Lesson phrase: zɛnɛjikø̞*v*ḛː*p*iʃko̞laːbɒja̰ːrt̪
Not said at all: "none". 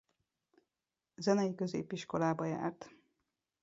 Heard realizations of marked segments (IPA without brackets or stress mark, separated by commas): z, p